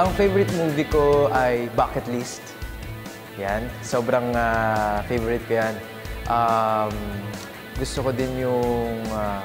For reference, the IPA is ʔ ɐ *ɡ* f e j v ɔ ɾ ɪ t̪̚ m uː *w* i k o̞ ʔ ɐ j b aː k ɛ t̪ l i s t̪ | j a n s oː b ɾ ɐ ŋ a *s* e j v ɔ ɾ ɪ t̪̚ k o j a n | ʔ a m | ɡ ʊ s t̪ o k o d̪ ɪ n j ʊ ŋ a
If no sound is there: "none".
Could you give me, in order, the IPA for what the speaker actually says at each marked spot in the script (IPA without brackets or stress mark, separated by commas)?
ŋ, v, f